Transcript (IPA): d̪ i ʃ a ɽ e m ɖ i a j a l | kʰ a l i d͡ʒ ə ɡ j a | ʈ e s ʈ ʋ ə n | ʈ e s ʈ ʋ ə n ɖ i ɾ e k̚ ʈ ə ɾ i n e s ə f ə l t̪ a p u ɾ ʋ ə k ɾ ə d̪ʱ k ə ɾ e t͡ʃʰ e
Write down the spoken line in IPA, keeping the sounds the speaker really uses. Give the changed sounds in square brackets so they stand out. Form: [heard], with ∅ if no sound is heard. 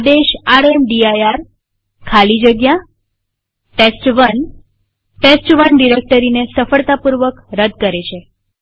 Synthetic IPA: d̪ [e] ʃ a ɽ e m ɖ i a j a [ɾ] | kʰ a l i d͡ʒ ə ɡ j a | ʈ e s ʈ ʋ ə n | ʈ e s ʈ ʋ ə n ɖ i ɾ e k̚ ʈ ə ɾ i n e s ə f ə [ɭ] t̪ a p u ɾ ʋ ə k ɾ ə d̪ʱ k ə ɾ e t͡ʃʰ e

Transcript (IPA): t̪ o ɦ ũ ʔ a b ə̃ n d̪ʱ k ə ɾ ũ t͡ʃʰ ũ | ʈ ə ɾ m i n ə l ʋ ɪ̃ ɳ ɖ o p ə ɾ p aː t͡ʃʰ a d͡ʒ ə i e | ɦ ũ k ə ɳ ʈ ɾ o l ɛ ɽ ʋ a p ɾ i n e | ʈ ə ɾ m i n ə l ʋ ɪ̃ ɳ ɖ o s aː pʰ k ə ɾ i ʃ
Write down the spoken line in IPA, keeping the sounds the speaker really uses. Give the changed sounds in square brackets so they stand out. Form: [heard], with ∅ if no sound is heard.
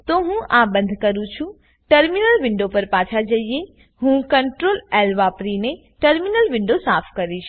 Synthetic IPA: t̪ o ɦ ũ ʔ a b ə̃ n d̪ʱ k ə ɾ ũ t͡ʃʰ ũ | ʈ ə ɾ m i n ə l ʋ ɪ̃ ɳ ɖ o p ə ɾ p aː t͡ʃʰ a d͡ʒ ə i e | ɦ ũ k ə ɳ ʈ ɾ o l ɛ [l] ʋ a p ɾ i n e | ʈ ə ɾ m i n ə l ʋ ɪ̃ ɳ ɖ o s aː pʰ k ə ɾ i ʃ

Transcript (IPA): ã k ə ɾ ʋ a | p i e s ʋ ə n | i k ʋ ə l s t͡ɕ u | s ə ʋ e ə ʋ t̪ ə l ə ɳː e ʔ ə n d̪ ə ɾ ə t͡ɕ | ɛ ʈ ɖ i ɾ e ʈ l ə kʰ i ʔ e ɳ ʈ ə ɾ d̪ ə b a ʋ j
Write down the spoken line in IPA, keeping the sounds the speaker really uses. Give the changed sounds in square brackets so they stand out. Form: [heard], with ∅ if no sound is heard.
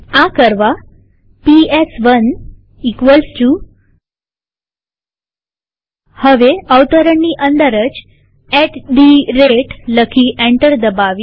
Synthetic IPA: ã k ə ɾ ʋ a | p i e s ʋ ə n | i k ʋ ə l s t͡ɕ u | [h] ə ʋ e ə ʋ t̪ ə [ɾ] ə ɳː [i] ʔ ə n d̪ ə ɾ ə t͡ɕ | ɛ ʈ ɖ i ɾ e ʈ l ə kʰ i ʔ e ɳ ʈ ə ɾ d̪ ə b a ʋ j

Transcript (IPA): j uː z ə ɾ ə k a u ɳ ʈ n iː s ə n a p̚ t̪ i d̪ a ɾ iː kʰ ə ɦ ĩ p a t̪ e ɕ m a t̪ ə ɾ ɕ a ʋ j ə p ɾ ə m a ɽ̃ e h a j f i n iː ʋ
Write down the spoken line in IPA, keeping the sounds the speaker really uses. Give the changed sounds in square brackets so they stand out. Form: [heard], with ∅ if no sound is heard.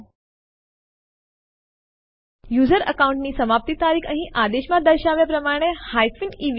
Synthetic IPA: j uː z ə ɾ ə k a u ɳ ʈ n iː s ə [m] a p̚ t̪ i [t̪] a ɾ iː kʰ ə ɦ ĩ [ʔ] a [d̪] e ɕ m a [d̪] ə ɾ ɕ a ʋ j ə p ɾ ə m a ɽ̃ e h a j f i n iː ʋ

